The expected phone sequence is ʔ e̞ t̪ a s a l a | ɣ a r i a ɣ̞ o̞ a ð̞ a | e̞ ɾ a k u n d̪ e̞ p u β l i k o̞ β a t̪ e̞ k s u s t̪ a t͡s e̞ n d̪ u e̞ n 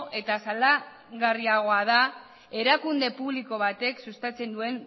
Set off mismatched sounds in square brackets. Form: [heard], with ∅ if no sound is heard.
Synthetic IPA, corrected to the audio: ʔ e̞ t̪ a s a l a | ɣ a r i a ɣ̞ o̞ a ð̞ a | e̞ ɾ a k u n d̪ e̞ p u β l i k o̞ β a t̪ e̞ k s u s t̪ a t͡s e̞ n d̪ u e̞ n